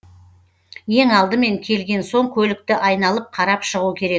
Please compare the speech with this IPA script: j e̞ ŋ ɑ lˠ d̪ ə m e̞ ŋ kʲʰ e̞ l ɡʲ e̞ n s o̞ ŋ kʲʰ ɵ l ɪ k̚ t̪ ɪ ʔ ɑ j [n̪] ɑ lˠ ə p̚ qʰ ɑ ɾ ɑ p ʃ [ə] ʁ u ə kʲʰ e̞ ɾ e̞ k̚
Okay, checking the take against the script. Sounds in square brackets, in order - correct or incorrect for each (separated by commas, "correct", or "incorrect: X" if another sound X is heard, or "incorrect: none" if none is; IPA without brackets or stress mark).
correct, correct